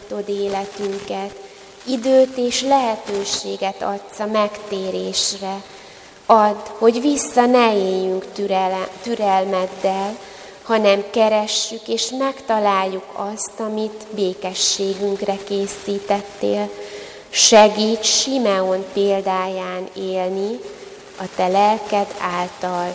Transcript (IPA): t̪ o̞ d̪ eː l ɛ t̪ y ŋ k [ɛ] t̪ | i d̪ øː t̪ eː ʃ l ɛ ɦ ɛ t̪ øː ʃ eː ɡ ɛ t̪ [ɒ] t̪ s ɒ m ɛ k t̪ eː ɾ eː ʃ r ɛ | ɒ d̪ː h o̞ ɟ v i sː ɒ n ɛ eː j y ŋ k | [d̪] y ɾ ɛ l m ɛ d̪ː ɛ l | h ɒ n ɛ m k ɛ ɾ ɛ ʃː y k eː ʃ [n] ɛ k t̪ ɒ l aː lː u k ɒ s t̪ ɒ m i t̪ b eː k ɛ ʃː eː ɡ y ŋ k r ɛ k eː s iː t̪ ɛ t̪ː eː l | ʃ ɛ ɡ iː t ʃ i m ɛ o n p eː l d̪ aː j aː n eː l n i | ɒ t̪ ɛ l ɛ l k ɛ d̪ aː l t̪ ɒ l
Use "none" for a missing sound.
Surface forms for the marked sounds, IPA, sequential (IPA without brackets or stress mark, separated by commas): ɛ, ɒ, t̪, m